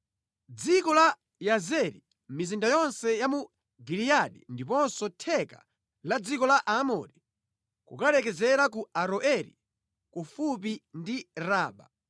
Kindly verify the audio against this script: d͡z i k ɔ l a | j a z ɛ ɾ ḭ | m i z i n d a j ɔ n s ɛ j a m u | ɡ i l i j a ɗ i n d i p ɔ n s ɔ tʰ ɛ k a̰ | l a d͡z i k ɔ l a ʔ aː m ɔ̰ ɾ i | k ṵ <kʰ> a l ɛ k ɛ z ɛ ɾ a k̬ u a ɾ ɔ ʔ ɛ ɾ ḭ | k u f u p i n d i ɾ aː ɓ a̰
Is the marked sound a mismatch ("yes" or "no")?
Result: yes